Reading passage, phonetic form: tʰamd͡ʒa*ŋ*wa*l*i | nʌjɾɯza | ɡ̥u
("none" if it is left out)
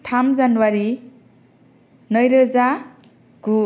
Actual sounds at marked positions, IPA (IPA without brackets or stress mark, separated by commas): n, ɾ